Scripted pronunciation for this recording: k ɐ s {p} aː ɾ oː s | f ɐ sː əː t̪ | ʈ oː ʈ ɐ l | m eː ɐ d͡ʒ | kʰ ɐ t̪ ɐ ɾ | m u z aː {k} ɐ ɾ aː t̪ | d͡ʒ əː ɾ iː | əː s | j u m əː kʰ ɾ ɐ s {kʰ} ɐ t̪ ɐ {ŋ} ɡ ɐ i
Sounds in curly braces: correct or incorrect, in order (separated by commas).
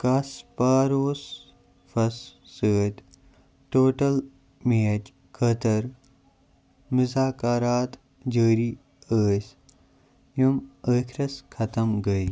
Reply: correct, correct, correct, incorrect